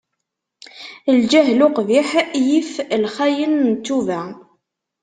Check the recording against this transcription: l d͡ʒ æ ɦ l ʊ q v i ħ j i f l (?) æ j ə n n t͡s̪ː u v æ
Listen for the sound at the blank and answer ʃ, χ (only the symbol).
χ